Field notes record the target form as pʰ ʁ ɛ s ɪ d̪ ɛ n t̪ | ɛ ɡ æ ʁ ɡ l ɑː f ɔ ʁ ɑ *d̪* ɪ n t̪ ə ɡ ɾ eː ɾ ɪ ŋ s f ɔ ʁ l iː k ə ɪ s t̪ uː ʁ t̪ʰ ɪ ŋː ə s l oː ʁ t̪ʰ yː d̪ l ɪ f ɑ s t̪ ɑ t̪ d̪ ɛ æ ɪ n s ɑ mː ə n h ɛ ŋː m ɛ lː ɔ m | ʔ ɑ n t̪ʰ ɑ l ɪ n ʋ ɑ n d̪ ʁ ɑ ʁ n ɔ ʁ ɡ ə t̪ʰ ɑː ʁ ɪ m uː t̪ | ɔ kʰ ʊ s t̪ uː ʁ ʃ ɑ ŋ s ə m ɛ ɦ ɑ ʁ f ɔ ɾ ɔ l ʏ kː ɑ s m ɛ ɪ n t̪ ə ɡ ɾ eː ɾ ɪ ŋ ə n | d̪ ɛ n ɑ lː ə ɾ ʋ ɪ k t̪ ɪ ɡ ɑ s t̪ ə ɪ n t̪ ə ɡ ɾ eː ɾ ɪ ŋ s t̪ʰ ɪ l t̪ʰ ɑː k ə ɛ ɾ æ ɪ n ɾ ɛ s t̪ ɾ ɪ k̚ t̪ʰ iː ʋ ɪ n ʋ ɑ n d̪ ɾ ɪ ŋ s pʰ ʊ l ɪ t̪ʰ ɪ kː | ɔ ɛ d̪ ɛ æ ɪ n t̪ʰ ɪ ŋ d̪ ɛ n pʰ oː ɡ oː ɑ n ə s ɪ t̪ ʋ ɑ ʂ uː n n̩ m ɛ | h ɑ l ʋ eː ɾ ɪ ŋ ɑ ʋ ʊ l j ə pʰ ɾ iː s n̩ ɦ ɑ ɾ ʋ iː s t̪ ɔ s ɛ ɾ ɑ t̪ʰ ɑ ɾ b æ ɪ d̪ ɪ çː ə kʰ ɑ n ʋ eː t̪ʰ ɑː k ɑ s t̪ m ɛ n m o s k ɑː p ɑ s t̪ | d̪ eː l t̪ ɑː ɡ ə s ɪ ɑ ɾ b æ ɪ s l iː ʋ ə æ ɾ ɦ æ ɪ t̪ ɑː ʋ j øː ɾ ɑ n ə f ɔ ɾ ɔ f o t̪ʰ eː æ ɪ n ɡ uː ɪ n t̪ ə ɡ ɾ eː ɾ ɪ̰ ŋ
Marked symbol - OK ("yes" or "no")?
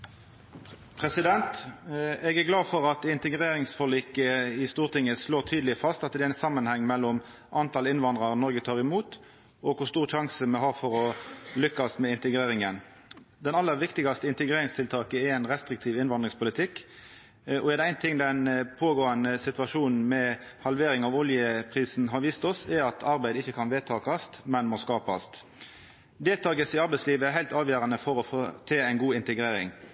no